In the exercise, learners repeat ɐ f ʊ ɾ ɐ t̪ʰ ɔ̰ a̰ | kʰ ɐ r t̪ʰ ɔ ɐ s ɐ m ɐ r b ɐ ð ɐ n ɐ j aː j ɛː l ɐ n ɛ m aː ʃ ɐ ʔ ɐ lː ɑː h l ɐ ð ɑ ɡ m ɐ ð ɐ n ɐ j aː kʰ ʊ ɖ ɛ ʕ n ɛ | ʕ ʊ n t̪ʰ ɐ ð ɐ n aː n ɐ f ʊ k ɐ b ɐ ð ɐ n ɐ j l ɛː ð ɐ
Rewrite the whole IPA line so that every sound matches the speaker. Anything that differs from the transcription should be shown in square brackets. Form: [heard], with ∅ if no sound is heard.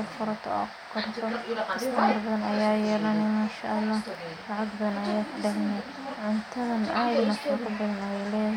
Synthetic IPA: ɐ f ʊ ɾ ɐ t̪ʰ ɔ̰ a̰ | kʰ ɐ r t̪ʰ ɔ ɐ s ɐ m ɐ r b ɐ ð ɐ n ɐ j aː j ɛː l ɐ n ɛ m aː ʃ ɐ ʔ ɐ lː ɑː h l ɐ [ʕ] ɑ ɡ [b] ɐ ð ɐ n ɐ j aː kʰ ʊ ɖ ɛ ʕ n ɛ | ʕ ʊ n t̪ʰ ɐ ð ɐ n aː n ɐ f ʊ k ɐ b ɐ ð ɐ n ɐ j l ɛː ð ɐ

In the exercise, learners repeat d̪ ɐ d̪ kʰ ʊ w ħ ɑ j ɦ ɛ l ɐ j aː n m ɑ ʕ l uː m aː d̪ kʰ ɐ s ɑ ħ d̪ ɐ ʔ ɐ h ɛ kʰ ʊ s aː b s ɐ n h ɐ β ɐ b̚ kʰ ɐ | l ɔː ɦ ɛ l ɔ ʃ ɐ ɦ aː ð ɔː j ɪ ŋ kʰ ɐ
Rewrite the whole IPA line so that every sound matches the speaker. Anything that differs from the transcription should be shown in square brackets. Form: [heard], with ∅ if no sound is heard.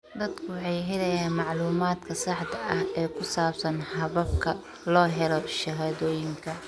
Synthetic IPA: d̪ ɐ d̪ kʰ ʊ w ħ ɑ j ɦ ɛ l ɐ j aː n m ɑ ʕ l uː m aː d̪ kʰ ɐ s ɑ ħ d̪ ɐ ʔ ɐ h [ɛː] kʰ ʊ s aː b s ɐ n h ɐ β ɐ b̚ kʰ ɐ | l ɔː ɦ ɛ l ɔ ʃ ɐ ɦ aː ð ɔː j ɪ ŋ kʰ ɐ

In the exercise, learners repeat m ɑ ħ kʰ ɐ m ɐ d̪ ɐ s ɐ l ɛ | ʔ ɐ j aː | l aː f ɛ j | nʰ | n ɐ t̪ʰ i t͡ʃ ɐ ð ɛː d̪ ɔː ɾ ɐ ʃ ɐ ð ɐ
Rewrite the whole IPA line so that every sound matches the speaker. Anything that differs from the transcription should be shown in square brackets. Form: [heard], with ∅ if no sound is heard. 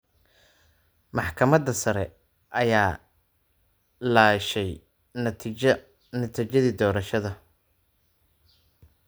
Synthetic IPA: m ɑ ħ kʰ ɐ m ɐ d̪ ɐ s ɐ [ɾ] ɛ | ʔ ɐ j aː | l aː [ʃ] ɛ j | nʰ | n ɐ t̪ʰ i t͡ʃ ɐ ð [iː] d̪ ɔː ɾ ɐ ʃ ɐ ð ɐ

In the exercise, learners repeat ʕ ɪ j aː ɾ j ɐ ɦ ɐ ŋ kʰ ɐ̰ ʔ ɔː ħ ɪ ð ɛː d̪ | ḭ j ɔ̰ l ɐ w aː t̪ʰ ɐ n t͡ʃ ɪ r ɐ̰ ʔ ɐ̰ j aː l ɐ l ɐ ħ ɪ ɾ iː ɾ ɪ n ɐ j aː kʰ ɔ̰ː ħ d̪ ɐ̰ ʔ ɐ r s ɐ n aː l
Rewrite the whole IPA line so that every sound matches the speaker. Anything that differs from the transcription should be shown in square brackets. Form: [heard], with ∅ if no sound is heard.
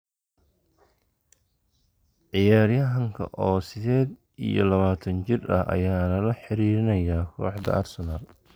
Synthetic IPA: ʕ ɪ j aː ɾ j ɐ ɦ ɐ ŋ kʰ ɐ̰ ʔ ɔː [s] ɪ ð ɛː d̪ | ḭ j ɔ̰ l ɐ [β] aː t̪ʰ ɐ n t͡ʃ ɪ r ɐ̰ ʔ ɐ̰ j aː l ɐ l ɐ ħ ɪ ɾ iː ɾ ɪ n ɐ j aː kʰ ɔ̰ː ħ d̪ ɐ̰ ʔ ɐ r s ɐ n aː l

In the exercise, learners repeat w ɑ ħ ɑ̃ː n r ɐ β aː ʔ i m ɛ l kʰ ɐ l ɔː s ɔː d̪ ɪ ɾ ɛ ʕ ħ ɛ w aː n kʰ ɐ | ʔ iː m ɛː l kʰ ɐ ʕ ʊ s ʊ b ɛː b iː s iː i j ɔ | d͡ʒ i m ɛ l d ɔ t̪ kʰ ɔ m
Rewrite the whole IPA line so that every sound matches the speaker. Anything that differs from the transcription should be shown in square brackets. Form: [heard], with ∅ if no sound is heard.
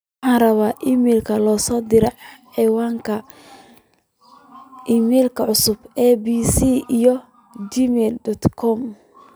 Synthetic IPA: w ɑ ħ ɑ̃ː n r ɐ β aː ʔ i m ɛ l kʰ ɐ l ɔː s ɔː d̪ ɪ ɾ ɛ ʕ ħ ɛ w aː [ŋ] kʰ ɐ | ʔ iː m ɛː l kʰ ɐ ʕ ʊ s ʊ b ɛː b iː s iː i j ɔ | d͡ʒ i m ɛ l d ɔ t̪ kʰ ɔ m

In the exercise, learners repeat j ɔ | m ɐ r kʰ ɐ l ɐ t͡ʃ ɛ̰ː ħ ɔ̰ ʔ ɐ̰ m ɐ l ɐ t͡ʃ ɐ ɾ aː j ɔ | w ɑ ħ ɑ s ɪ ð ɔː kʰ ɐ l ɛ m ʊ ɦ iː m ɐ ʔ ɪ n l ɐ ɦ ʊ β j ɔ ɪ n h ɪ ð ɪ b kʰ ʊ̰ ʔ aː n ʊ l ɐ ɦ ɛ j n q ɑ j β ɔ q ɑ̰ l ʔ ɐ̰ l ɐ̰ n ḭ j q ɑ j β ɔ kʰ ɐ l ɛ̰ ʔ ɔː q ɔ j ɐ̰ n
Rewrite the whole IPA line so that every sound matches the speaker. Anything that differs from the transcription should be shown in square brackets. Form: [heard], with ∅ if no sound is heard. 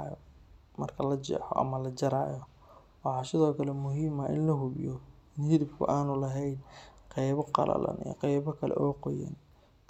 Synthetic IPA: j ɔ | m ɐ r kʰ ɐ l ɐ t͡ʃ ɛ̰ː ħ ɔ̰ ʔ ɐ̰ m ɐ l ɐ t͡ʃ ɐ ɾ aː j ɔ | w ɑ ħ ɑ s ɪ ð ɔː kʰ ɐ l ɛ m ʊ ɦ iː m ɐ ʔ ɪ n l ɐ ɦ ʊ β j ɔ ɪ n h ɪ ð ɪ b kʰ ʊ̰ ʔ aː n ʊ l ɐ ɦ ɛ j n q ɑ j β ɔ q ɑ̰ l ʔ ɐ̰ l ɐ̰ n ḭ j q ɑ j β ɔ kʰ ɐ l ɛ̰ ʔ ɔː q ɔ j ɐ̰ n

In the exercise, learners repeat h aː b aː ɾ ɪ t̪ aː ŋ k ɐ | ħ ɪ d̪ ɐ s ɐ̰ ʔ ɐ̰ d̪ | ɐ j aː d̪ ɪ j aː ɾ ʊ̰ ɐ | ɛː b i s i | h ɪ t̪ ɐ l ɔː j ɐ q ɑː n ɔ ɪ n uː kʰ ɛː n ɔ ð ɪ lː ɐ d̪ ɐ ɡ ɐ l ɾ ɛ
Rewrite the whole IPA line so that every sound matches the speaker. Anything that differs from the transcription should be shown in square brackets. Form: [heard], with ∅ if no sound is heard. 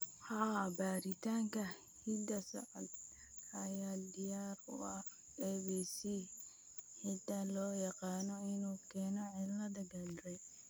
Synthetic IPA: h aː b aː ɾ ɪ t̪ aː ŋ k ɐ | [h] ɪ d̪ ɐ s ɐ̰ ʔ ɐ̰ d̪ | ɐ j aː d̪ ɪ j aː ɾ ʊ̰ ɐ | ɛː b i s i | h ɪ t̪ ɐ l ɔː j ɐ q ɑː n ɔ ɪ n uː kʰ ɛː n ɔ [ʕ] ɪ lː ɐ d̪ ɐ ɡ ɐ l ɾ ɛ

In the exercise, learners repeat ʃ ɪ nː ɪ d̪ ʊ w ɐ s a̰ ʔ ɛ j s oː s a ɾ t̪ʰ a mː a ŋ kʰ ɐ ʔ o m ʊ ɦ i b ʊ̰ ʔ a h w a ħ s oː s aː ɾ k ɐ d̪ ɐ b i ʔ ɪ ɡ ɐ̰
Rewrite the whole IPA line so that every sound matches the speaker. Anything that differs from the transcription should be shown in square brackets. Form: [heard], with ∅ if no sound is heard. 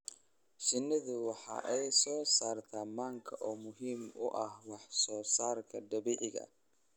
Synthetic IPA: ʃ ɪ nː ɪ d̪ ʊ w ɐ [ħ] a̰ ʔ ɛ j s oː s a ɾ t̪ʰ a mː a ŋ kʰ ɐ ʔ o m ʊ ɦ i [m] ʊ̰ ʔ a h w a ħ s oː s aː ɾ k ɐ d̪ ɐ b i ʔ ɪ ɡ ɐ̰

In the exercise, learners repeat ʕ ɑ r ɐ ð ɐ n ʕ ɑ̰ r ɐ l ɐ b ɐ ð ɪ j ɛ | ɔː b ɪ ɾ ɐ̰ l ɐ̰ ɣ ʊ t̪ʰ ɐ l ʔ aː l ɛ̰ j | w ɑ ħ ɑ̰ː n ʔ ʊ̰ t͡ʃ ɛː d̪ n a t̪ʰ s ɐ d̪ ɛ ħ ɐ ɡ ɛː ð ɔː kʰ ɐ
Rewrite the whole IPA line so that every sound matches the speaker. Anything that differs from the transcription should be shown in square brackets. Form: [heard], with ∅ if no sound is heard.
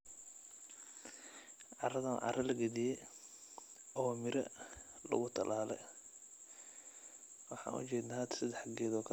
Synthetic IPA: ʕ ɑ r ɐ ð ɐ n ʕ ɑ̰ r ɐ l ɐ [ɡ] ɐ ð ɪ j ɛ | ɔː [m] ɪ ɾ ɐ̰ l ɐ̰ ɣ ʊ t̪ʰ ɐ l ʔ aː l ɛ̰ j | w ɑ ħ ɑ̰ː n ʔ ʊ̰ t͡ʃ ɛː d̪ n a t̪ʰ s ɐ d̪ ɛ ħ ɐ ɡ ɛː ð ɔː kʰ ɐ

